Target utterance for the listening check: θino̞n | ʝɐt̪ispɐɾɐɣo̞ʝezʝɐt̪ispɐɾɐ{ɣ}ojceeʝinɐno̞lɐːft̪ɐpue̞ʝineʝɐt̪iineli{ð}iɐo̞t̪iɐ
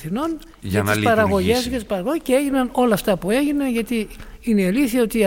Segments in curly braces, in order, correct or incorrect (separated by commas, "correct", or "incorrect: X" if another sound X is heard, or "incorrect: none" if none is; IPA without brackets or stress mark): correct, incorrect: θ